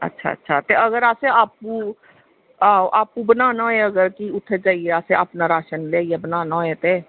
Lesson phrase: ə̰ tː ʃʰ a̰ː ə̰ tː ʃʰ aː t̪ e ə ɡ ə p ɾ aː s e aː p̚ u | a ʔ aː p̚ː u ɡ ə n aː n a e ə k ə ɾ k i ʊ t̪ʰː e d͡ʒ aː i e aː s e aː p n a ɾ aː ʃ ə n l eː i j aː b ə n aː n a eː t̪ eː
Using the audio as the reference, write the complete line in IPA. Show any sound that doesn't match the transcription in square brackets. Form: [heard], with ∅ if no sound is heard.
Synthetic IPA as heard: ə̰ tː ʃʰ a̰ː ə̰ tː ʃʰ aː t̪ e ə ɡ ə [∅] ɾ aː s e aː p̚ u | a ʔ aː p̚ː u [b] ə n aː n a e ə [ɡ] ə ɾ k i ʊ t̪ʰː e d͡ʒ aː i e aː s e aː p n a ɾ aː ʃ ə n l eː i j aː b ə n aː n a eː t̪ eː

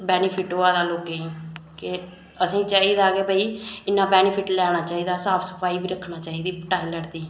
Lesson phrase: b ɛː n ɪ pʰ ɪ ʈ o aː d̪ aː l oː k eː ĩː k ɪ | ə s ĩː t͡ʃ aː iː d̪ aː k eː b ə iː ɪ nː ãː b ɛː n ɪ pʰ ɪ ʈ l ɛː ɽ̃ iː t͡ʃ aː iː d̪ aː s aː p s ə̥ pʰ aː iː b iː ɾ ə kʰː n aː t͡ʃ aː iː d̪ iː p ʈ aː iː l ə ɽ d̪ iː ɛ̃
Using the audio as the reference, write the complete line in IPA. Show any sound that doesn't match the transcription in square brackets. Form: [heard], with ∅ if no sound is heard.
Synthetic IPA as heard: b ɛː n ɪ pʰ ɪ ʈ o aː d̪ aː l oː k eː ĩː k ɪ | ə s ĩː t͡ʃ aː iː d̪ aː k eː b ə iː ɪ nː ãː b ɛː n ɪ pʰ ɪ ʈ l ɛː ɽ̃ [aː] t͡ʃ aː iː d̪ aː s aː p s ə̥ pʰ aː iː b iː ɾ ə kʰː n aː t͡ʃ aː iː d̪ iː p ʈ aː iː l ə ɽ d̪ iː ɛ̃

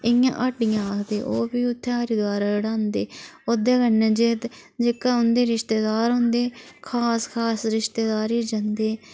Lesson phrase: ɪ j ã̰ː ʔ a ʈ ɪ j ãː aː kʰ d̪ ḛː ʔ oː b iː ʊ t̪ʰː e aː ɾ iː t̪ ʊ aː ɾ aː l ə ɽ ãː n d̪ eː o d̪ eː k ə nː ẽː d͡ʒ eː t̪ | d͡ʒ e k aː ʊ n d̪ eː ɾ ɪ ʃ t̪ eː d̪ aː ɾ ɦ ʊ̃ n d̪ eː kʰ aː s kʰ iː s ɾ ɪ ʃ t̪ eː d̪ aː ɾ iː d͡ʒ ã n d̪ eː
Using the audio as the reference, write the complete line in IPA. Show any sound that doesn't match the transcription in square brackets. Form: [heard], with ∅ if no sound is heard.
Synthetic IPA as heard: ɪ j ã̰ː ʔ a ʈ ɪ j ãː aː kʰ d̪ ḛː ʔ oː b iː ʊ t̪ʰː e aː ɾ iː [d̪] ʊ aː ɾ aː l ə ɽ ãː n d̪ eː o d̪ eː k ə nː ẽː d͡ʒ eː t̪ | d͡ʒ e k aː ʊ n d̪ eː ɾ ɪ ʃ t̪ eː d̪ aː ɾ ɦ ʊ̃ n d̪ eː kʰ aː s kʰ [aː] s ɾ ɪ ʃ t̪ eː d̪ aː ɾ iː d͡ʒ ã n d̪ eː

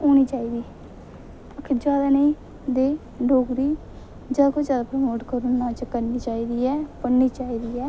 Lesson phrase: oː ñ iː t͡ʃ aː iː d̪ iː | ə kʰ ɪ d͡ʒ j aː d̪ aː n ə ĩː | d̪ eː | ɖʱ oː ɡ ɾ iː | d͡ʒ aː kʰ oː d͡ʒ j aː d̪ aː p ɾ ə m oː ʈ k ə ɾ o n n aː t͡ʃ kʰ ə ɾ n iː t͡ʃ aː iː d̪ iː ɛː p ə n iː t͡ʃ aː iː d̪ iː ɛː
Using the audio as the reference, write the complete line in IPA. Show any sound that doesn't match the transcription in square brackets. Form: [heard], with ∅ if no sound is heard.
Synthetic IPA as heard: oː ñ iː t͡ʃ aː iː d̪ iː | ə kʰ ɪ d͡ʒ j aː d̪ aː n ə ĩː | d̪ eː | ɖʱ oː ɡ ɾ iː | d͡ʒ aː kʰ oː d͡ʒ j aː d̪ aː p ɾ ə m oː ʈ k ə ɾ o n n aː t͡ʃ [k] ə ɾ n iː t͡ʃ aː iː d̪ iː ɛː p ə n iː t͡ʃ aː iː d̪ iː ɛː

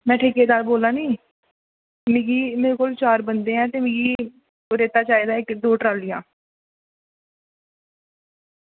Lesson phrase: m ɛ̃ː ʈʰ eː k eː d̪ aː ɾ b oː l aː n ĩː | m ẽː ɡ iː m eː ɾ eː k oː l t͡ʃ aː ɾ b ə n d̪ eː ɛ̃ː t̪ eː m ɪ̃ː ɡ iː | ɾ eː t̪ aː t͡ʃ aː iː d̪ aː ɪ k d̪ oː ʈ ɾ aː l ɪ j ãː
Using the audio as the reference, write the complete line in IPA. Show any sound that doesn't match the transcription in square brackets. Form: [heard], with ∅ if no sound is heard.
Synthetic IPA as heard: m ɛ̃ː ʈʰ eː k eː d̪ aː ɾ b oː l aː n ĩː | m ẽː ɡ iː m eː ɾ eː k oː l t͡ʃ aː ɾ b ə n d̪ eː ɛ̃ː t̪ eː m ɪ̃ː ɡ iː | ɾ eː t̪ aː t͡ʃ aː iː d̪ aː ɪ k d̪ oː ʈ ɾ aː l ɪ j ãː

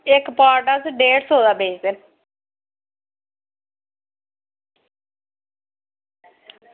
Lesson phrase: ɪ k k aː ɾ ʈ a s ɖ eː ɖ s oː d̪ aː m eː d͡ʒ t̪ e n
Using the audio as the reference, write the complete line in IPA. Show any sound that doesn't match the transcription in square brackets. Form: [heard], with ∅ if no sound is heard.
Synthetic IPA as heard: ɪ k [p] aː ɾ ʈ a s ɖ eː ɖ s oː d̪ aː [b] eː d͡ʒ [d̪] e n

